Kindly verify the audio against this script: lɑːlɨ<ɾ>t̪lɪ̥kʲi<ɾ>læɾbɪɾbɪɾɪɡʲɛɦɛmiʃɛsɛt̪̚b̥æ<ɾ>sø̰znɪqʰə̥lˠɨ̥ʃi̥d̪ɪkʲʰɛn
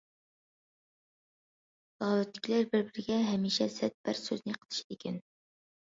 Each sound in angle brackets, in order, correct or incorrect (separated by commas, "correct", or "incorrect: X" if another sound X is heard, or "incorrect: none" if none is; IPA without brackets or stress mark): incorrect: none, incorrect: none, correct